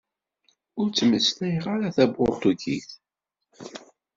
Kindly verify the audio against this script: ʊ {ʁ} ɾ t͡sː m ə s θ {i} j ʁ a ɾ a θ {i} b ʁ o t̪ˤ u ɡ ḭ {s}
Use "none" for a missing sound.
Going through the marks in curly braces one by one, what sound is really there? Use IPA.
none, æ, æ, θ

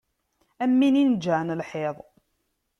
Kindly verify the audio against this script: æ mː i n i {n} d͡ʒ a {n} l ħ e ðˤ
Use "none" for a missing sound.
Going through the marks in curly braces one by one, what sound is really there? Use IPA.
n, n

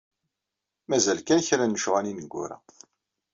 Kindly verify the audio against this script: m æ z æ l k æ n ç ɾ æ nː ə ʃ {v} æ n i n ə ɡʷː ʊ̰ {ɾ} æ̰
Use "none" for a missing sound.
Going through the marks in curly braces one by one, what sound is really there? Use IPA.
ʁ, ɾ

